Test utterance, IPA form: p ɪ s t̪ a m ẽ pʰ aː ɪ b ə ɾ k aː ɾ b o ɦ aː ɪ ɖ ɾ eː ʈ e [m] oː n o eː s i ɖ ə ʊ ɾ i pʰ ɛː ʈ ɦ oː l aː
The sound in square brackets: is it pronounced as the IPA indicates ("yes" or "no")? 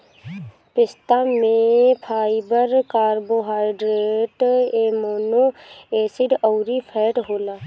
yes